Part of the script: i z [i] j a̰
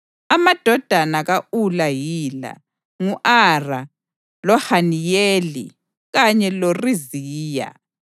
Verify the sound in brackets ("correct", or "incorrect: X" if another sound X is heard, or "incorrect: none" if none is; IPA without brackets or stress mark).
incorrect: iː